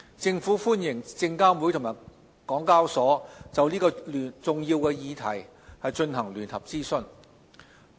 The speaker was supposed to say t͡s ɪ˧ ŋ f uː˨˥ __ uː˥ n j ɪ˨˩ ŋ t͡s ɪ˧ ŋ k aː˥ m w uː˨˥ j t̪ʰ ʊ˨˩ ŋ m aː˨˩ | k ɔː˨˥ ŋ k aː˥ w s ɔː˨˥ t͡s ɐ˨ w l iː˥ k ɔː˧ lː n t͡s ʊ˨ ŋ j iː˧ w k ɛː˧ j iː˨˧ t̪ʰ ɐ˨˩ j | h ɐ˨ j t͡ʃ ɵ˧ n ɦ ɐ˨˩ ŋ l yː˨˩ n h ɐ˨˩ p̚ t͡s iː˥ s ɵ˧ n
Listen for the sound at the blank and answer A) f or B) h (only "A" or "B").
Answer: A